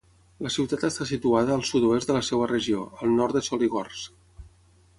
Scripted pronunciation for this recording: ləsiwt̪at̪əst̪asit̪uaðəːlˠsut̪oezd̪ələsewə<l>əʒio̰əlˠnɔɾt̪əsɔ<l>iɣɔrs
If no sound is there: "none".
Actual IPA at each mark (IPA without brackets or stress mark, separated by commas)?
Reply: r, l